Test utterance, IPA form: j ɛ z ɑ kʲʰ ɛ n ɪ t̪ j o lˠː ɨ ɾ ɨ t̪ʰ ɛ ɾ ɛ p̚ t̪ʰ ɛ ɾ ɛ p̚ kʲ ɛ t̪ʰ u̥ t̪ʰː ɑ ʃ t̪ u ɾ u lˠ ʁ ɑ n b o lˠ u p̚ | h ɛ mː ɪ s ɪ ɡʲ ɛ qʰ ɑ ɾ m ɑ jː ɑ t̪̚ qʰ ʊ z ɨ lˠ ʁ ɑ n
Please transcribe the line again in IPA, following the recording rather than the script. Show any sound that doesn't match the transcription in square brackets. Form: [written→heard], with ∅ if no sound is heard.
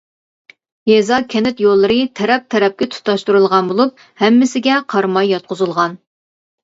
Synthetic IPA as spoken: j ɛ z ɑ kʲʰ ɛ n ɪ t̪ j o lˠː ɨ ɾ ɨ t̪ʰ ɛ ɾ ɛ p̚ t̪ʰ ɛ ɾ ɛ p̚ kʲ ɛ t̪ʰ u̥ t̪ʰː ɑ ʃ t̪ u ɾ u lˠ ʁ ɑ n b o lˠ u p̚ | h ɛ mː ɪ s ɪ ɡʲ ɛ qʰ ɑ ɾ m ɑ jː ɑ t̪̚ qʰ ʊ z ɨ lˠ ʁ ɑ n